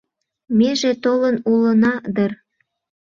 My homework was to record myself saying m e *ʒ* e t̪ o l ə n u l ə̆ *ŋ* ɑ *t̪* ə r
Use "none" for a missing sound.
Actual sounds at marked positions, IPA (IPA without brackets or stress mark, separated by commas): ʒ, n, d̪